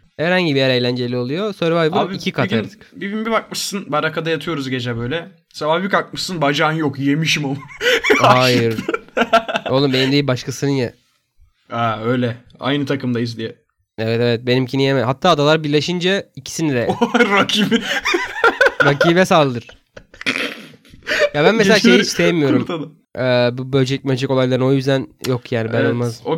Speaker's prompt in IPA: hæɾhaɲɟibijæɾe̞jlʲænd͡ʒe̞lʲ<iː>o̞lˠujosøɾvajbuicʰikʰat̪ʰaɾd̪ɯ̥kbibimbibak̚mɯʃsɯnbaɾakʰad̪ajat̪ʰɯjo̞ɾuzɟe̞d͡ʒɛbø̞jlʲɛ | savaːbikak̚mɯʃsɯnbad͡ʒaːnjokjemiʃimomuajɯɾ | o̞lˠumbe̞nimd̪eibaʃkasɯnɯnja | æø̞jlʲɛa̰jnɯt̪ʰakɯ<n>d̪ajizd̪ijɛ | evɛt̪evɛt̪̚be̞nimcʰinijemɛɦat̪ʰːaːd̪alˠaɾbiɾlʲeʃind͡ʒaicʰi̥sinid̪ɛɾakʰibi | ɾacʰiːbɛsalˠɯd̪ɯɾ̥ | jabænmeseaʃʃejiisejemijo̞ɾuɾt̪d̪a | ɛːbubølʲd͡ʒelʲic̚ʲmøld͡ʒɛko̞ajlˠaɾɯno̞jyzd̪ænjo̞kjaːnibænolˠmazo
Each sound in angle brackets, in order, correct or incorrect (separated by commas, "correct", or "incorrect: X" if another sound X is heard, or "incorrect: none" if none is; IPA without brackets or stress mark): incorrect: i, incorrect: m